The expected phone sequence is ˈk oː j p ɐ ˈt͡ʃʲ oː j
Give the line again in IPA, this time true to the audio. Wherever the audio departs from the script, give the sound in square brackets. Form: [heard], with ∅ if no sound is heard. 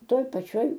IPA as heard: [ˈt] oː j p ɐ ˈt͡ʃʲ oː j